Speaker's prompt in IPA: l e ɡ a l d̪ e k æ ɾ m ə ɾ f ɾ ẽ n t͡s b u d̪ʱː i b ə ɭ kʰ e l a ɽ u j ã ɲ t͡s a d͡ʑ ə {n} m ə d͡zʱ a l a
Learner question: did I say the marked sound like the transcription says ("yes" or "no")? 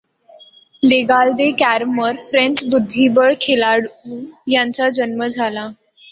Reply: yes